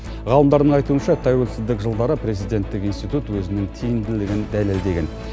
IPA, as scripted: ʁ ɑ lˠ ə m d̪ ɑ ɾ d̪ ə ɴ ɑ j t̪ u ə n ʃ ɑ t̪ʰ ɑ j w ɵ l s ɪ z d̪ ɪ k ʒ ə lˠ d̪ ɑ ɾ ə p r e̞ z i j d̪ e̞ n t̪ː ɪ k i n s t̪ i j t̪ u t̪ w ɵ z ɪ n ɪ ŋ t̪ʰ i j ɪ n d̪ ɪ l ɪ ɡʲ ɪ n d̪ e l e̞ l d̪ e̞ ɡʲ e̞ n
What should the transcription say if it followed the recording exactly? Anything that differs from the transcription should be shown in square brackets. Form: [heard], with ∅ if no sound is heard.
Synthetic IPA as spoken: ʁ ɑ lˠ ə m d̪ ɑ ɾ d̪ ə ɴ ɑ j t̪ u ə n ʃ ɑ t̪ʰ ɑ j w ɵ l s ɪ z d̪ ɪ k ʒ ə lˠ d̪ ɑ ɾ ə p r e̞ z i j d̪ e̞ n t̪ː ɪ k i n s t̪ i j t̪ u t̪ w ɵ z ɪ n ɪ ŋ t̪ʰ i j ɪ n d̪ ɪ l ɪ ɡʲ ɪ n d̪ [æ] l e̞ l d̪ e̞ ɡʲ e̞ n

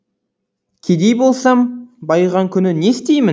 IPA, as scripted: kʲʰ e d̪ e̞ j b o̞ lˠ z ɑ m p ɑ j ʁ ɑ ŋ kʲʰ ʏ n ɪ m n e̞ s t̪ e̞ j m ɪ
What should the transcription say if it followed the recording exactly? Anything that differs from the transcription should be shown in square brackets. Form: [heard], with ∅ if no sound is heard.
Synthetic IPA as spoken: kʲʰ e d̪ e̞ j b o̞ lˠ [s] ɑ m [b] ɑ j ʁ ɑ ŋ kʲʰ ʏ n ɪ [∅] n e̞ s t̪ e̞ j m ɪ

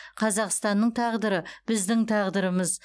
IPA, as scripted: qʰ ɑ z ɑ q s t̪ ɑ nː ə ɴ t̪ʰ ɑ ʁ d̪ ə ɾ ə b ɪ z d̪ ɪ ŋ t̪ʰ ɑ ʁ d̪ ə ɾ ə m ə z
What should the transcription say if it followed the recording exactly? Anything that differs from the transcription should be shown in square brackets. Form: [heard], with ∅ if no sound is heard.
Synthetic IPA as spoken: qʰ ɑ z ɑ q s t̪ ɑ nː ə ɴ t̪ʰ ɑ ʁ d̪ ə ɾ ə b ɪ z d̪ ɪ ŋ t̪ʰ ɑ ʁ d̪ ə ɾ ə m ə z

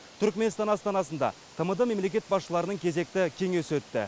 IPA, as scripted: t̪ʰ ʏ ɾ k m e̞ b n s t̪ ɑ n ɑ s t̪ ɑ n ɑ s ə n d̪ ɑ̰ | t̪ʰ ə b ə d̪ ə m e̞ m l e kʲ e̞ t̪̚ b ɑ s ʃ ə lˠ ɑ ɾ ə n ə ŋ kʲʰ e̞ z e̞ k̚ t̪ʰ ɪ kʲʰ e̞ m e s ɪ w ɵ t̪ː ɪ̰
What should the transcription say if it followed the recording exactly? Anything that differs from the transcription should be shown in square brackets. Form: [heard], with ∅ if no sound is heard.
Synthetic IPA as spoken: t̪ʰ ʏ ɾ k m e̞ [∅] n s t̪ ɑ n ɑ s t̪ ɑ n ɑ s ə n d̪ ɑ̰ | t̪ʰ ə [m] ə d̪ ə m e̞ m l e kʲ e̞ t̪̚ b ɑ s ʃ ə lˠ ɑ ɾ ə n ə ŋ kʲʰ e̞ z e̞ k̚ [t̪] ɪ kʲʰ e̞ [ŋ] e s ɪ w ɵ t̪ː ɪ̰

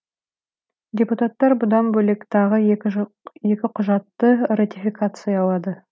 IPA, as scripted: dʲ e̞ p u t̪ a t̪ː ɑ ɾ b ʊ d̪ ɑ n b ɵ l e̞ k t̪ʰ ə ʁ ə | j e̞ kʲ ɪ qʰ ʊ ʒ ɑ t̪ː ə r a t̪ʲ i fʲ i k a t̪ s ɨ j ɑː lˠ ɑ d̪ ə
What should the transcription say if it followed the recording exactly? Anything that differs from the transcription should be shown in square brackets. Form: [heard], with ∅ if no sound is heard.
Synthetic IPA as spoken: dʲ e̞ p u t̪ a t̪ː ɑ ɾ b ʊ d̪ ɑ n b ɵ l e̞ k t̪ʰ [ɑ] ʁ ə | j e̞ kʲ ɪ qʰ ʊ ʒ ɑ t̪ː ə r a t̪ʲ i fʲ i k a t̪ s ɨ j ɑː lˠ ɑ d̪ ə

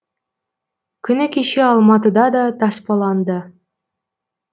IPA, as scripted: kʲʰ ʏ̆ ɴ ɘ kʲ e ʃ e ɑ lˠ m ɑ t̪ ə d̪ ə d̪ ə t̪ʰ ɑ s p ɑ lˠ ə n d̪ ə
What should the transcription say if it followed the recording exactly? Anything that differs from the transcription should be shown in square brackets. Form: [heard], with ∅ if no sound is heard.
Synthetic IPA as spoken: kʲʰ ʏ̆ [n] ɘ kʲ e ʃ e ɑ lˠ m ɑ t̪ ə d̪ [ɑ] d̪ [ɑ] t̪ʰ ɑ s p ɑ lˠ [ɑ] n d̪ ə

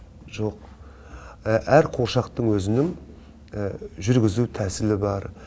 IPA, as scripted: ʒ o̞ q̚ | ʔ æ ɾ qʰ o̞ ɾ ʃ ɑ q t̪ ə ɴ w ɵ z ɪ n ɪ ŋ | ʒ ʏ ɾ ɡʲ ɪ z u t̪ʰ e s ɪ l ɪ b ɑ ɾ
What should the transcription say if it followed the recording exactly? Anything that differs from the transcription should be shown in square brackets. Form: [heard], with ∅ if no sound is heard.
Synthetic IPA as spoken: ʒ o̞ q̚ | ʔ æ ɾ qʰ o̞ ɾ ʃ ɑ q t̪ ə ɴ w ɵ z ɪ n ɪ ŋ | ʒ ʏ ɾ ɡʲ ɪ z u t̪ʰ [æ] s ɪ l ɪ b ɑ ɾ

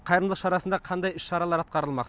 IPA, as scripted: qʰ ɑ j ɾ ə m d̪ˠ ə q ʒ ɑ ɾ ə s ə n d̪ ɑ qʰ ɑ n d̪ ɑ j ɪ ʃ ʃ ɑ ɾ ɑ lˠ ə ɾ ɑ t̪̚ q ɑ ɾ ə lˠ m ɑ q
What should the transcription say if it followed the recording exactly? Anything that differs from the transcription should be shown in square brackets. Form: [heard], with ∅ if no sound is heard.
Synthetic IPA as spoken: qʰ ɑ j ɾ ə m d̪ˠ ə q [ʃ] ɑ ɾ [ɑ] s ə n d̪ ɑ qʰ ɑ n d̪ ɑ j ɪ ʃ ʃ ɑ ɾ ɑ lˠ [ɑ] ɾ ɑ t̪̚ q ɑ ɾ ə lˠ m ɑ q

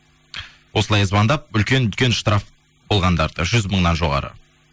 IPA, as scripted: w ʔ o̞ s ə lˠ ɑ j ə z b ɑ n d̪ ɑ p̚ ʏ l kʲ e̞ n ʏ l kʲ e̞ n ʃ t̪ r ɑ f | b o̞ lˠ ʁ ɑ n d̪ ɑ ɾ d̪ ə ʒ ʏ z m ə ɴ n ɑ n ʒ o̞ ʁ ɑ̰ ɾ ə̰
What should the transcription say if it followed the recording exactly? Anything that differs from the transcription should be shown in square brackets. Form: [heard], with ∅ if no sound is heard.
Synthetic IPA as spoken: w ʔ o̞ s ə lˠ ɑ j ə z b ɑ n d̪ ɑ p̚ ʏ l kʲ e̞ n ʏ l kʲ e̞ n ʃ t̪ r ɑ f | b o̞ lˠ ʁ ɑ n d̪ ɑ ɾ d̪ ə ʒ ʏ z m ə ɴ n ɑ n ʒ o̞ ʁ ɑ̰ ɾ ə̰

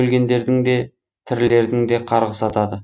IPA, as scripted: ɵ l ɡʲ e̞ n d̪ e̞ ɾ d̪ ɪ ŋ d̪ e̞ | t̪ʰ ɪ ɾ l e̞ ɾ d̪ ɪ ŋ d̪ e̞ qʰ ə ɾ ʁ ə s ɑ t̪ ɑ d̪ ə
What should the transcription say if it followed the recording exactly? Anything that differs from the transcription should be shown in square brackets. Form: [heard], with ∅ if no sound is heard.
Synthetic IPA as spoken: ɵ l ɡʲ e̞ n d̪ e̞ ɾ d̪ ɪ ŋ d̪ e̞ | t̪ʰ ɪ ɾ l e̞ ɾ d̪ ɪ ŋ d̪ e̞ qʰ [ɑ] ɾ ʁ ə s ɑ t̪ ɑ d̪ ə

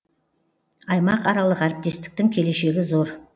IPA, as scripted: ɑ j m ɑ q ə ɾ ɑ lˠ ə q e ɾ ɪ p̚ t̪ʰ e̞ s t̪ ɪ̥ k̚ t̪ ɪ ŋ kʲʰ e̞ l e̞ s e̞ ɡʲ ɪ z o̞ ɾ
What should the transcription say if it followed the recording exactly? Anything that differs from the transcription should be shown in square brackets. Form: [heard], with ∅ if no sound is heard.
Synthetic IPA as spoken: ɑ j m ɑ q [ɑ] ɾ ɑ lˠ ə q [æ] ɾ ɪ p̚ [t̪] e̞ s t̪ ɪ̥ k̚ t̪ ɪ ŋ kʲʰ e̞ l e̞ [ʃ] e̞ ɡʲ ɪ z o̞ ɾ

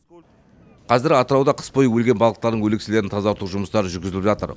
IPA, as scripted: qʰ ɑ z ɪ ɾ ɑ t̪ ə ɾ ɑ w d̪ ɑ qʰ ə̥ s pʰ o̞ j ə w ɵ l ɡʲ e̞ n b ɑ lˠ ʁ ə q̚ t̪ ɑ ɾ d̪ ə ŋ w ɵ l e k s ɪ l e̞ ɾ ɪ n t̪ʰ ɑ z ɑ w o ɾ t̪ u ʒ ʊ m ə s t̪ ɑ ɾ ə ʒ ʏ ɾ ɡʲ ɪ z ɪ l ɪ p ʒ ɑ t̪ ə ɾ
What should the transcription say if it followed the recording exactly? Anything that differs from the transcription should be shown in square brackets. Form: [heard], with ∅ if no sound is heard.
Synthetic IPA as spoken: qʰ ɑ z ɪ ɾ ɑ t̪ ə ɾ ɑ w d̪ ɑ qʰ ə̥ s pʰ o̞ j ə w ɵ l ɡʲ e̞ n b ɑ lˠ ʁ ə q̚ t̪ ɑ ɾ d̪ ə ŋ w ɵ l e k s ɪ l e̞ ɾ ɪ n t̪ʰ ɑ z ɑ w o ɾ t̪ u ʒ ʊ m ə s t̪ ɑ ɾ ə ʒ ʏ ɾ ɡʲ ɪ z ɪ l ɪ p ʒ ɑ t̪ ə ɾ

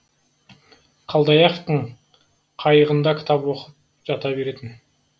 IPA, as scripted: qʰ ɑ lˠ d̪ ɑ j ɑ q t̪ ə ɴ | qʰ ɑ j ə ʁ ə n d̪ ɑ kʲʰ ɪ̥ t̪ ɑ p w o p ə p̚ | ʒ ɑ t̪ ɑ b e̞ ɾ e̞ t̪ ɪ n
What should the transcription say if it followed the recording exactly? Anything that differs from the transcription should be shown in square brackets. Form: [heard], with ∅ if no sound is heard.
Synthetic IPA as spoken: qʰ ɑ lˠ d̪ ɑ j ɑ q t̪ ə ɴ | qʰ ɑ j ə ʁ ə n d̪ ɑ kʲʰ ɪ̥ t̪ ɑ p w o [q] ə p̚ | ʒ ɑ t̪ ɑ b e̞ ɾ e̞ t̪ ɪ n

